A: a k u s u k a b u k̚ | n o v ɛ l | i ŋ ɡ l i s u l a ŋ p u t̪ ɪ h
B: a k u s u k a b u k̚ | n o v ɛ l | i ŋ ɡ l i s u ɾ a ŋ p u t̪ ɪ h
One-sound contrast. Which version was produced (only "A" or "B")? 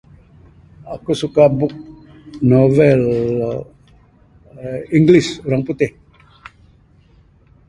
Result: B